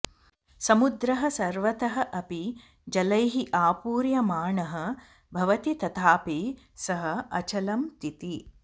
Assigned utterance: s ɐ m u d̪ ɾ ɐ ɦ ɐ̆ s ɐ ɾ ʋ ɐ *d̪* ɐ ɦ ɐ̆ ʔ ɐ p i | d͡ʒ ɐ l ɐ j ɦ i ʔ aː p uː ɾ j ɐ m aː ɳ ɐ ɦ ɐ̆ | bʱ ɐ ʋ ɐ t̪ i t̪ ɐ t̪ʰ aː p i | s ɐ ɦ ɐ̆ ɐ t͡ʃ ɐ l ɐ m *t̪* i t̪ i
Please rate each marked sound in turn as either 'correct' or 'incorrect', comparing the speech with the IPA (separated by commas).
incorrect, correct